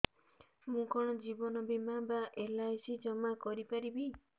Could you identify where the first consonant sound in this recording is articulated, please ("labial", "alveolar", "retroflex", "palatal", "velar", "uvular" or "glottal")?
labial